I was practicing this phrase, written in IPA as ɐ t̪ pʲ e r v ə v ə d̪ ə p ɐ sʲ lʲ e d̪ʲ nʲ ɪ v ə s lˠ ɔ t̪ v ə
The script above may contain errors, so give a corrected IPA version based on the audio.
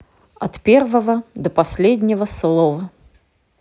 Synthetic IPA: ɐ t̪ pʲ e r v ə v ə d̪ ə p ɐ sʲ lʲ e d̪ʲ nʲ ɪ v ə s lˠ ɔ v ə